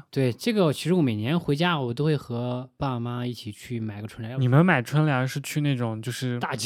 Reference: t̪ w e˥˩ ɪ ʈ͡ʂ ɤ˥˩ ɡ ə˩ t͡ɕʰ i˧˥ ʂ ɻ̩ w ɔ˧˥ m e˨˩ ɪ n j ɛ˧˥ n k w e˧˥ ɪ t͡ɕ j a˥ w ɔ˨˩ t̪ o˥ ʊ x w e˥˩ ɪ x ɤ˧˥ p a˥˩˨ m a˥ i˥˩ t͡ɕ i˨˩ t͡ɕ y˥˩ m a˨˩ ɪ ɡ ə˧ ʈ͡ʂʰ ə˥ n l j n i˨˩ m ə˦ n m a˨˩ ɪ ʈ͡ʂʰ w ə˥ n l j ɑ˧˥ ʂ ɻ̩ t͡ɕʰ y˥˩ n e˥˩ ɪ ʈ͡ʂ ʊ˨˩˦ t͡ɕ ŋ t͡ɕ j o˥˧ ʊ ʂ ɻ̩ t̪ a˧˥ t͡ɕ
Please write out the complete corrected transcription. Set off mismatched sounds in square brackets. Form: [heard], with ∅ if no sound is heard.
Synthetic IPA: t̪ w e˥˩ ɪ ʈ͡ʂ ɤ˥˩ ɡ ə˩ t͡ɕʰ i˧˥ ʂ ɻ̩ w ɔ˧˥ m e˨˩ ɪ n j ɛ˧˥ n [x] w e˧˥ ɪ t͡ɕ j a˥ w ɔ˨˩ t̪ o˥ ʊ x w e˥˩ ɪ x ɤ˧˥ p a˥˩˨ m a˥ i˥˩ [t͡ɕʰ] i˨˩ [t͡ɕʰ] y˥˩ m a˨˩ ɪ ɡ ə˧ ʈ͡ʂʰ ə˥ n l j n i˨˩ m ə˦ n m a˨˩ ɪ ʈ͡ʂʰ w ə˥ n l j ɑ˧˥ ʂ ɻ̩ t͡ɕʰ [y˥˧] n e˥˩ ɪ ʈ͡ʂ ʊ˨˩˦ [∅] ŋ t͡ɕ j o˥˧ ʊ ʂ ɻ̩ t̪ [a˥˩] t͡ɕ